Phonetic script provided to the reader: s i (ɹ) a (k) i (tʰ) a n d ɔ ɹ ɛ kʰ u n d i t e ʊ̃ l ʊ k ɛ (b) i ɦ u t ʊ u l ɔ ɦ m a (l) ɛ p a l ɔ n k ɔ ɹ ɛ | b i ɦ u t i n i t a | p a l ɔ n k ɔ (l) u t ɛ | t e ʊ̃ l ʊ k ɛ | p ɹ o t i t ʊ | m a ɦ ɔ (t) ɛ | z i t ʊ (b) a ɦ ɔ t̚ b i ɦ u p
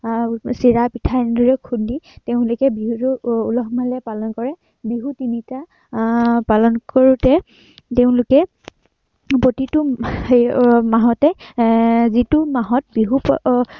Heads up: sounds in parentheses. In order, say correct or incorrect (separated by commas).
correct, incorrect, correct, correct, correct, incorrect, correct, incorrect